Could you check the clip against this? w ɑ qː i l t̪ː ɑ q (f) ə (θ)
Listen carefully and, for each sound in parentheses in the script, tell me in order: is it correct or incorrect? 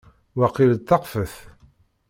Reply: correct, correct

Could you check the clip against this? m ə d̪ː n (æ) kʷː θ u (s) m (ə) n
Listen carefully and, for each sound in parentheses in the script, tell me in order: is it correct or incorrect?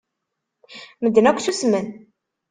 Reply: correct, correct, correct

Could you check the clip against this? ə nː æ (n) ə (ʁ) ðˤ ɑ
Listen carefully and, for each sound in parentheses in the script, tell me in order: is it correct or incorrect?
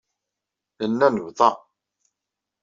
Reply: correct, incorrect: v

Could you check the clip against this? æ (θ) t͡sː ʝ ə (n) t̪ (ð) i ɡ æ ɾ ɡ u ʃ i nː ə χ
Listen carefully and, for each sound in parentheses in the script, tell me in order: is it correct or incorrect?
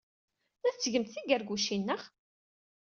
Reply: correct, incorrect: m, incorrect: θ

